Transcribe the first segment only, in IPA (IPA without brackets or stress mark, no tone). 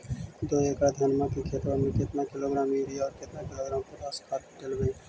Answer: d̪